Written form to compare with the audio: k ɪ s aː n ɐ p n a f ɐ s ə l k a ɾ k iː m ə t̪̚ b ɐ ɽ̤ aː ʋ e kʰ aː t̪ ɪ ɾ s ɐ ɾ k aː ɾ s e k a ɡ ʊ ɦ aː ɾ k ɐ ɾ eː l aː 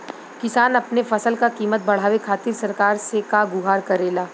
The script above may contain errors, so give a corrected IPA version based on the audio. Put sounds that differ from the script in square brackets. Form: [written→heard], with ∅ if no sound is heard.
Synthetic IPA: k ɪ s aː n ɐ p n [a→e] f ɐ s ə l k a [ɾ→∅] k iː m ə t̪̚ b ɐ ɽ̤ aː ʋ e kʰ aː t̪ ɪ ɾ s ɐ ɾ k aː ɾ s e k a ɡ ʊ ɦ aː ɾ k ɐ ɾ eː l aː

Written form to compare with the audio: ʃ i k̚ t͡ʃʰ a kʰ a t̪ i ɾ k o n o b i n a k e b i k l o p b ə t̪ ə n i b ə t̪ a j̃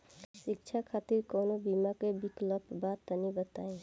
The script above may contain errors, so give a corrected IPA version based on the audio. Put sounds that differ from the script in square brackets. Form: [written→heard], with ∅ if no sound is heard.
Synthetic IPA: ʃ i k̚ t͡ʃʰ a kʰ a t̪ i ɾ k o n o b i [n→m] a k e b i k l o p b [ə→a] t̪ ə n i b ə t̪ a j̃

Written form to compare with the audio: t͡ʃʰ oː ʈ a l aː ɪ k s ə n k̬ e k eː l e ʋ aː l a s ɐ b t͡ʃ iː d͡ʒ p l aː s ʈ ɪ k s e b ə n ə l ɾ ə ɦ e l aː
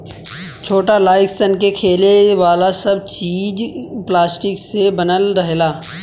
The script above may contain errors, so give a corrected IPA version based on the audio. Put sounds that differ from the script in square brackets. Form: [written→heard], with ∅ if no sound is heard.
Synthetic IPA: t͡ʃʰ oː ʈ a l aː ɪ k s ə n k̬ e [k→kʰ] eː l e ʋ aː l a s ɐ b t͡ʃ iː d͡ʒ p l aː s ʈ ɪ k s e b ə n ə l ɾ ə ɦ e l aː

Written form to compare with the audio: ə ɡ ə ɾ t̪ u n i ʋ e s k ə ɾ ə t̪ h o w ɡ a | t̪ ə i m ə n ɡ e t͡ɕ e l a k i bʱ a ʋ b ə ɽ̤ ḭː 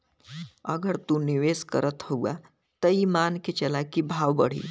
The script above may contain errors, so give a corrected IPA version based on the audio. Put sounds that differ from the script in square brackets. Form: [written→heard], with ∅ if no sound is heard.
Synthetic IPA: ə ɡ ə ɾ t̪ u n i ʋ e s k ə ɾ ə t̪ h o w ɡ a | t̪ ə i m [ə→a] n [ɡ→k] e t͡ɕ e l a k i bʱ a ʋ b ə ɽ̤ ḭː

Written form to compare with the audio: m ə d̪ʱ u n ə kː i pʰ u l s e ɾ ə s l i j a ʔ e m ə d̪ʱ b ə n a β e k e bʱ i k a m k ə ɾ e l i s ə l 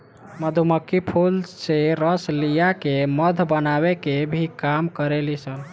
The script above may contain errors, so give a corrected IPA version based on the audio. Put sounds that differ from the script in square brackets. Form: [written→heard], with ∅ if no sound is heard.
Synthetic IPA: m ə d̪ʱ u [n→m] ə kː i pʰ u l s e ɾ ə s l i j a [ʔ→k] e m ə d̪ʱ b ə n a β e k e bʱ i k a m k ə ɾ e l i s ə l

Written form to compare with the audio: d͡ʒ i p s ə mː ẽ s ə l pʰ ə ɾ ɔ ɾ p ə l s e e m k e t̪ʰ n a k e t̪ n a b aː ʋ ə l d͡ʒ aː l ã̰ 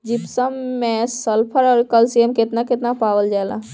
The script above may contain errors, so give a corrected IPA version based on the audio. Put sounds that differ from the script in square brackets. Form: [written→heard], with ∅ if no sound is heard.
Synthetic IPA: d͡ʒ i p s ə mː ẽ s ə l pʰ ə ɾ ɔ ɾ [p→k] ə l s [e→i] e m k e [t̪ʰ→t̪] n a k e t̪ n a [b→p] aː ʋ ə l d͡ʒ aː l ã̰

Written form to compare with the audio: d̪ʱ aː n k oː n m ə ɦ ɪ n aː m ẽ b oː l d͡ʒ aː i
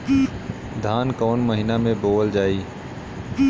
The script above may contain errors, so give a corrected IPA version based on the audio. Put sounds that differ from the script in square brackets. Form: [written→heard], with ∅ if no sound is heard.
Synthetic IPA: d̪ʱ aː n k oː n m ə ɦ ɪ n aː m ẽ b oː l d͡ʒ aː [i→iː]

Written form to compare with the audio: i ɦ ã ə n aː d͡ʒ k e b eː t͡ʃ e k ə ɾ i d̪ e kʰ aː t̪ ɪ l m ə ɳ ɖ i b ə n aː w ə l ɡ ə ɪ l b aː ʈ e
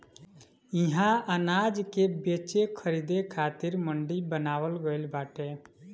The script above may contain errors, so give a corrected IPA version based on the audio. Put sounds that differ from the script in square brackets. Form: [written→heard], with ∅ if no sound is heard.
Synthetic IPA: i ɦ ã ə n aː d͡ʒ k e b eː t͡ʃ e [k→kʰ] ə ɾ i d̪ e kʰ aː t̪ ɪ [l→ɾ] m ə ɳ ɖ i b ə n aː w ə l ɡ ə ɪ l b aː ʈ e

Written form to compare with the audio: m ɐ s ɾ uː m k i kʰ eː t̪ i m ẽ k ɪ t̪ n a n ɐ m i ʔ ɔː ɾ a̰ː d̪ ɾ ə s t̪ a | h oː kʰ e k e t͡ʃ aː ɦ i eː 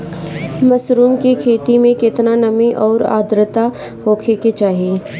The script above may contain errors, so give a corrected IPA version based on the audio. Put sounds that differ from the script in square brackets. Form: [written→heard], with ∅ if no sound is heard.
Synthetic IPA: m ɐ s ɾ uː m k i kʰ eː t̪ i m ẽ k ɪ t̪ n a n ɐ m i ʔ ɔː ɾ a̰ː d̪ ɾ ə [s→∅] t̪ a | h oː kʰ e k e t͡ʃ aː ɦ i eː

